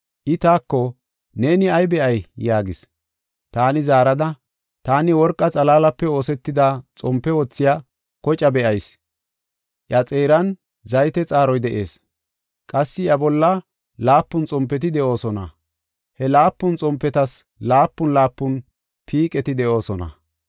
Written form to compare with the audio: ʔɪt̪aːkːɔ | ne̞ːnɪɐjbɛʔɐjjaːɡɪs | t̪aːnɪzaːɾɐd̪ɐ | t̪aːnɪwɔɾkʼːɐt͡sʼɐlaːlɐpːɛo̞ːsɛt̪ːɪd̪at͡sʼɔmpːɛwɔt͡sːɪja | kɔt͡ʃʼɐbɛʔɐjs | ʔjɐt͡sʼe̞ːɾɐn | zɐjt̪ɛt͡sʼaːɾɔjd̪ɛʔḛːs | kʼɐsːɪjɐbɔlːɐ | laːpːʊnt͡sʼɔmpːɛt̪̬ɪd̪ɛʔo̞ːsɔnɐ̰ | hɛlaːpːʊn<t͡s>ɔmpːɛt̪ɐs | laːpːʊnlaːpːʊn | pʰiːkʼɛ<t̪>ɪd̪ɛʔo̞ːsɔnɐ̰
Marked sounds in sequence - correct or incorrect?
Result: incorrect: t͡sʼ, correct

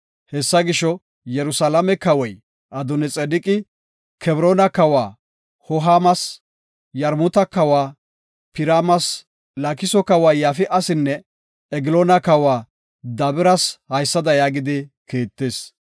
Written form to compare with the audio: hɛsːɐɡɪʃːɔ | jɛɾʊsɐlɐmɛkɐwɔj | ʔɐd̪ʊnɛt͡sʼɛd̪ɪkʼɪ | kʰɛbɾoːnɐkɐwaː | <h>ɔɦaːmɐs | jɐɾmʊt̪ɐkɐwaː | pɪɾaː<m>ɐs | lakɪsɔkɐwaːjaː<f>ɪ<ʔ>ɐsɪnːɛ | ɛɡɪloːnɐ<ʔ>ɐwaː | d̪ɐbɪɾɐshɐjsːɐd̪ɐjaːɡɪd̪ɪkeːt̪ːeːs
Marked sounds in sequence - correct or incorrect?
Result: correct, correct, correct, correct, incorrect: k

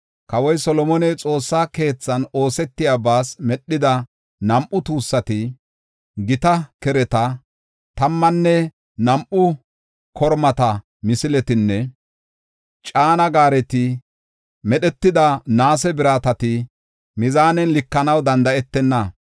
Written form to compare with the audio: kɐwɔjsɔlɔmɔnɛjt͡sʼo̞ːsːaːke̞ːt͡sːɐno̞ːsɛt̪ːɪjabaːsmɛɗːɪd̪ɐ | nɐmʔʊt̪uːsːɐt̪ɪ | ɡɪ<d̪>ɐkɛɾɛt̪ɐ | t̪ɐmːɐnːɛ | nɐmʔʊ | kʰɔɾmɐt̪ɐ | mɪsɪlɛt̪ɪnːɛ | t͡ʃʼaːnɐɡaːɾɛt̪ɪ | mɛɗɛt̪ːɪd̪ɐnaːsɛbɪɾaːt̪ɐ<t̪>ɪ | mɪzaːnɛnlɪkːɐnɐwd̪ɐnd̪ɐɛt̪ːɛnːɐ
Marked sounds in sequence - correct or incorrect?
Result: incorrect: t̪, correct

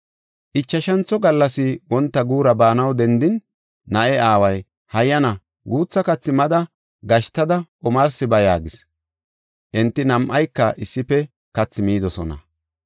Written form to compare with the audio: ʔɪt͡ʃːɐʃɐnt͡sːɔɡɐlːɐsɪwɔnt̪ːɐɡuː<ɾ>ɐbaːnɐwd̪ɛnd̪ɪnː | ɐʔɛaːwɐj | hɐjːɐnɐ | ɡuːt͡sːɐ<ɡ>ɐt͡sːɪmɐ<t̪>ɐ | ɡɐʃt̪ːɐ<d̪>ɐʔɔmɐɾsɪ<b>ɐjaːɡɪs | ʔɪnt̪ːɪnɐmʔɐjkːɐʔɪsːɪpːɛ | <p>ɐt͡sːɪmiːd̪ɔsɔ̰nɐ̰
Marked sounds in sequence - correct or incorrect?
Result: correct, incorrect: k, incorrect: d̪, correct, correct, incorrect: k

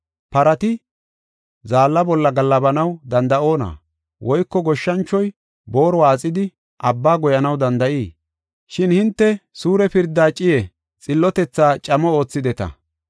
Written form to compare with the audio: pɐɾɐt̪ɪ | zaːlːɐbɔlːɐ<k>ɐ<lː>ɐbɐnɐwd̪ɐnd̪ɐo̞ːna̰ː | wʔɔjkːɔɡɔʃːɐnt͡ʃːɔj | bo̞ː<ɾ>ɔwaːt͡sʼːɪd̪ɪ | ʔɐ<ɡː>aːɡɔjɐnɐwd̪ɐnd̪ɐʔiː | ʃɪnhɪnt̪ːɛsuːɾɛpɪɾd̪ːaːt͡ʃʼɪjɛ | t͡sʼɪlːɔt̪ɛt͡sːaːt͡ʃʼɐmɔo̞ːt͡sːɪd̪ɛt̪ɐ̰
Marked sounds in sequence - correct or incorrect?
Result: incorrect: ɡ, correct, correct, incorrect: bː

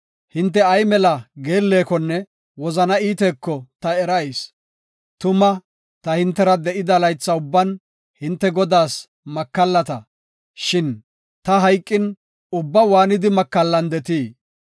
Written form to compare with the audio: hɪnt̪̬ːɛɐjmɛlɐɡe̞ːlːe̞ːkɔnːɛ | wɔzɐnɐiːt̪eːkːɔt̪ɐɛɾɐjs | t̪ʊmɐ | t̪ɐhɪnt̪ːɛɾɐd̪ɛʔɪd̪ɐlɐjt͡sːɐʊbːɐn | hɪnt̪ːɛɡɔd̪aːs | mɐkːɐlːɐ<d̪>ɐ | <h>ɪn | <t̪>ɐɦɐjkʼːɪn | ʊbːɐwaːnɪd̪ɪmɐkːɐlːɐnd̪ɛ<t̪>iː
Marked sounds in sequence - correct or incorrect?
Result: incorrect: t̪, incorrect: ʃ, correct, correct

